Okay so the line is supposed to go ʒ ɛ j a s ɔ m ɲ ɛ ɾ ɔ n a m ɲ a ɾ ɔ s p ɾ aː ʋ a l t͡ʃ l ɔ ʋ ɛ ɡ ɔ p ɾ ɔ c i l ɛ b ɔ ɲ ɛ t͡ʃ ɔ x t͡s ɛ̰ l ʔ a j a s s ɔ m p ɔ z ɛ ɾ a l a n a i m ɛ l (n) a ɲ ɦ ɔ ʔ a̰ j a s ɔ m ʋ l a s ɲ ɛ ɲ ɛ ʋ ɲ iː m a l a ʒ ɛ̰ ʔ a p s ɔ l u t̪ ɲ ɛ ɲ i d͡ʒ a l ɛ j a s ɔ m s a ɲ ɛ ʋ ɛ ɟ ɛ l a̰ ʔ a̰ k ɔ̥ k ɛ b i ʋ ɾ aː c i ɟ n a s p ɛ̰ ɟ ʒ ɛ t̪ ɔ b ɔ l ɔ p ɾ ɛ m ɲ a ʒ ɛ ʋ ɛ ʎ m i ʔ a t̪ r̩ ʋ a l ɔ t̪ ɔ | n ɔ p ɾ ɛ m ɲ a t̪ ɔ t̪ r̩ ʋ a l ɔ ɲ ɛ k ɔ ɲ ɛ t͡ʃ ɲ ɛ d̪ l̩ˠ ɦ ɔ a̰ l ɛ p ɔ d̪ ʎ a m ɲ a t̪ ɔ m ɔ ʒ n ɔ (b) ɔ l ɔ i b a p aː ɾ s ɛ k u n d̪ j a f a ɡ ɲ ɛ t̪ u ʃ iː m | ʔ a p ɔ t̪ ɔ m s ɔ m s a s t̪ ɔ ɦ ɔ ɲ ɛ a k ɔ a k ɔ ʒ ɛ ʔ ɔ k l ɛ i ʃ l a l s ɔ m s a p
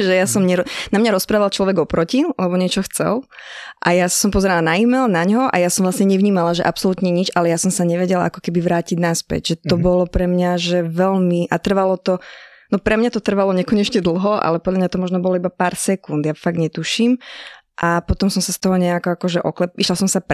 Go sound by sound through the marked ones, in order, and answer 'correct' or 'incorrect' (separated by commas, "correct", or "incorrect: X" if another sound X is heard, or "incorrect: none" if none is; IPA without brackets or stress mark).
correct, correct